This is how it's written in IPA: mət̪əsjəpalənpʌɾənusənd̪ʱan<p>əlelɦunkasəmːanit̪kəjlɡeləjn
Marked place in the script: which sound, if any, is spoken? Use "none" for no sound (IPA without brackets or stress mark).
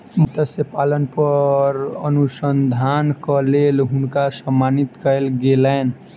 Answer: k